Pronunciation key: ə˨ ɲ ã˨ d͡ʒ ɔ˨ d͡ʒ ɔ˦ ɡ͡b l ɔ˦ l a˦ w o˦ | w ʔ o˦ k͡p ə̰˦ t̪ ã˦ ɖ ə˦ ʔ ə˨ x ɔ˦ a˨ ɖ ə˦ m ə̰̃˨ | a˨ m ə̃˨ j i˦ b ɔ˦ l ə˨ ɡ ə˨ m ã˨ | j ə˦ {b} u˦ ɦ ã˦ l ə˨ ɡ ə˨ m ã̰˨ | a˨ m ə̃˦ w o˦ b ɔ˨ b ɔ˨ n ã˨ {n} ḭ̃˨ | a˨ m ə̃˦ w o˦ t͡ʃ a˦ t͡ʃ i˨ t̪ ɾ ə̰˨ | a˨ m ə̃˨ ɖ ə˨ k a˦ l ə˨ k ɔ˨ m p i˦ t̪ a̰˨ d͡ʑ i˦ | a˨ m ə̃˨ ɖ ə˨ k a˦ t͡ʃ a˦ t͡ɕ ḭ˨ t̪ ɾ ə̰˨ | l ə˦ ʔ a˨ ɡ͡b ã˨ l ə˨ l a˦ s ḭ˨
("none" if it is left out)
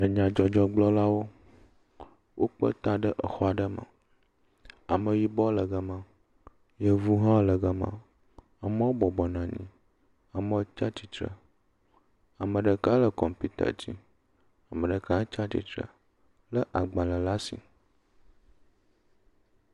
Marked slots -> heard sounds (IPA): v, ɲ

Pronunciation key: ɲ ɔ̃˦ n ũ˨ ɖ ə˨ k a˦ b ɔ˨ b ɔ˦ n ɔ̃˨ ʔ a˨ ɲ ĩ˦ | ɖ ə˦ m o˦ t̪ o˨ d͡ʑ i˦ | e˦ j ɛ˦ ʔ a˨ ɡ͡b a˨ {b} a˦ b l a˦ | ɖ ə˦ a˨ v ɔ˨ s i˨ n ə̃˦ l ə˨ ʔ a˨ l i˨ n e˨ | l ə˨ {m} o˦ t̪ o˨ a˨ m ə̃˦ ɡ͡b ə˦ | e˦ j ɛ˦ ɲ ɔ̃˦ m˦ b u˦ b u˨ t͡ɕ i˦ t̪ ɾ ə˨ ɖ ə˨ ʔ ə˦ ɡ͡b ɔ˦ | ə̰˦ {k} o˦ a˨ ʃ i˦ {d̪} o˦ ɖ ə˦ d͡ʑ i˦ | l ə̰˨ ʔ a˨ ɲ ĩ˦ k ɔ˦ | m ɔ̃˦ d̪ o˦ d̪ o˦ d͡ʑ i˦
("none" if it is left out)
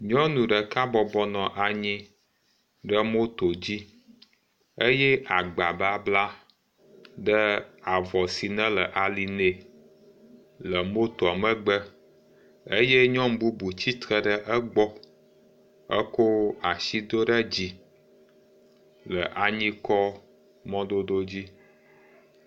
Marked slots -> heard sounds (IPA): b, m, k, d̪

